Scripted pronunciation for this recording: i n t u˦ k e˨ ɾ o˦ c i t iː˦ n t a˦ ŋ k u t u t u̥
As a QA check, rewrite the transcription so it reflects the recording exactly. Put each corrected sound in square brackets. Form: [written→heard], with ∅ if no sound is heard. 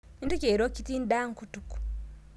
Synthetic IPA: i n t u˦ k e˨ ɾ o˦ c i t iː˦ n [t→d] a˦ ŋ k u t u [t→k] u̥